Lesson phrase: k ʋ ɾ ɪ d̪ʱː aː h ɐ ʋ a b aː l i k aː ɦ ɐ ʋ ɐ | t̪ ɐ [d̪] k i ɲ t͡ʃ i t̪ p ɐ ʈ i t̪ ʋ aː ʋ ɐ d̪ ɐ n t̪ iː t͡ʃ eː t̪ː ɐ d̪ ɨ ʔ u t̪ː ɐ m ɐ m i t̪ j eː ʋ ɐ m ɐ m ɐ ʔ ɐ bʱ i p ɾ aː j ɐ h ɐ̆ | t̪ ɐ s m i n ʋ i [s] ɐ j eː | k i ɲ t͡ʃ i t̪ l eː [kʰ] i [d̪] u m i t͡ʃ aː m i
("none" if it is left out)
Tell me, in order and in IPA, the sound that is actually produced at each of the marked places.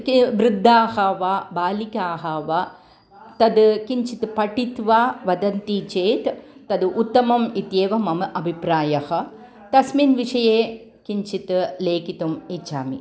d̪, ʂ, k, t̪

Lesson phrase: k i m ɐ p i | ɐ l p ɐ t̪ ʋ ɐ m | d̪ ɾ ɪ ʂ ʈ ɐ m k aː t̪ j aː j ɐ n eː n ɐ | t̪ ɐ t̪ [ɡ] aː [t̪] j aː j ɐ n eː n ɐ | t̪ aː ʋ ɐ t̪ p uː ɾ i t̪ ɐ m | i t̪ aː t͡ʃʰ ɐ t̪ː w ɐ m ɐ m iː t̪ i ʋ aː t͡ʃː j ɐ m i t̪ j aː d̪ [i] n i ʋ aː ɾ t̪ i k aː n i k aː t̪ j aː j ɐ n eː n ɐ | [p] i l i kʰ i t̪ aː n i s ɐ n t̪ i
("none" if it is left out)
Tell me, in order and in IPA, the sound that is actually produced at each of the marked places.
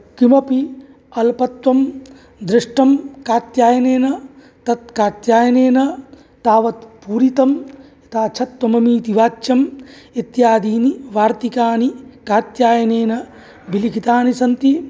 k, t̪, iː, b

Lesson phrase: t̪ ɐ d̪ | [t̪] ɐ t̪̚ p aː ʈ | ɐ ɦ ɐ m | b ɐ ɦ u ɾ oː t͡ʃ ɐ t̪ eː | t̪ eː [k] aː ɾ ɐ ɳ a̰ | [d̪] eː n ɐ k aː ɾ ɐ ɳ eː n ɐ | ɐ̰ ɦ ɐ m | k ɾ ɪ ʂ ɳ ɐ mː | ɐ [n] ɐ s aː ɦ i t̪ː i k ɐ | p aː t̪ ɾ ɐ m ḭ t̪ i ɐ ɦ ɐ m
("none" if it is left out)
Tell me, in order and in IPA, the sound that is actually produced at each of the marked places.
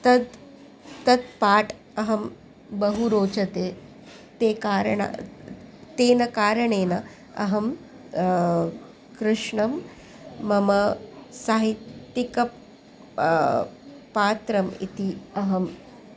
t̪, k, t̪, m

